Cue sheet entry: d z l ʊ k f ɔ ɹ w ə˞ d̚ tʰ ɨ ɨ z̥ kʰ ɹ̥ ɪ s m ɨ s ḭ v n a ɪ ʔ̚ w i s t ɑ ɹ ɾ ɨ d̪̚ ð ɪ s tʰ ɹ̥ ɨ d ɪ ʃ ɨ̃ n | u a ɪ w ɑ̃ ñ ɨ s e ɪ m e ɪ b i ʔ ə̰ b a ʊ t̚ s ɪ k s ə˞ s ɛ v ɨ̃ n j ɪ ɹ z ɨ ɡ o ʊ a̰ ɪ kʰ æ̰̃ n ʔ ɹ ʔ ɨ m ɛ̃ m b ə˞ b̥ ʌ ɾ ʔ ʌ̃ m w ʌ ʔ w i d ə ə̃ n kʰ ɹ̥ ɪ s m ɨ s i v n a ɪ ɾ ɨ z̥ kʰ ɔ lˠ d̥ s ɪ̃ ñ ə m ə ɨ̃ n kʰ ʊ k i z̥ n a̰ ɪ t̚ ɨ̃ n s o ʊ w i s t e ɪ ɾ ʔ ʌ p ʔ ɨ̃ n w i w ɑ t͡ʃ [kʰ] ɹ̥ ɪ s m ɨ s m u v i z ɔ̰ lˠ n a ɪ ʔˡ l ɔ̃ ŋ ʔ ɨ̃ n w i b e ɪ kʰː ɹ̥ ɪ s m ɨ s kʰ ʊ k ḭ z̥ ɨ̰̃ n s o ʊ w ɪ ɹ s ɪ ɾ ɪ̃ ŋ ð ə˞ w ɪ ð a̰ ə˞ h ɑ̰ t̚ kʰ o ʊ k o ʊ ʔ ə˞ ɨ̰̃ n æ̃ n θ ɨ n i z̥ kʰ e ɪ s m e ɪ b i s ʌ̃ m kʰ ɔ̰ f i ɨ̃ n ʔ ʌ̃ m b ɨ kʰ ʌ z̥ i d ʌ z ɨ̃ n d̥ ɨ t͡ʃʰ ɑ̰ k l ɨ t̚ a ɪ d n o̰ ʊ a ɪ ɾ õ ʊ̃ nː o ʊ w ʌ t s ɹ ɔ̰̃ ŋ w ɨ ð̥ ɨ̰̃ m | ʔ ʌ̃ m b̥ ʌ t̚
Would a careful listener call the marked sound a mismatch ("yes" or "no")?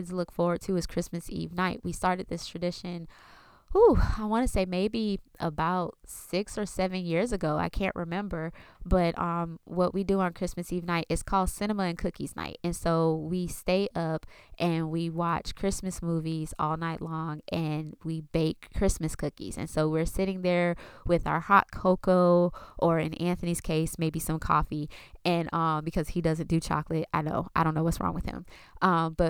no